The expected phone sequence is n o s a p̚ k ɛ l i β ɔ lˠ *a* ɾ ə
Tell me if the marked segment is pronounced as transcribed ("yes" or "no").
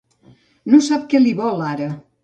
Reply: yes